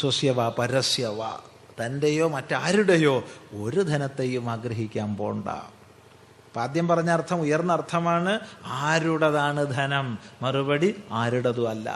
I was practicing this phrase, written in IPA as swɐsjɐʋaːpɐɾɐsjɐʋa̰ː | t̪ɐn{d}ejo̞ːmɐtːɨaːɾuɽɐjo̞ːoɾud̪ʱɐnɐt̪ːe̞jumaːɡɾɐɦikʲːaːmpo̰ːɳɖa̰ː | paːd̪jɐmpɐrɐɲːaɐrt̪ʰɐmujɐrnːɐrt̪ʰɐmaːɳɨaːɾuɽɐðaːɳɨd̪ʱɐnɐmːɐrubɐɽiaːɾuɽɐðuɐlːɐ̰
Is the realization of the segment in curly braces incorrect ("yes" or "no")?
no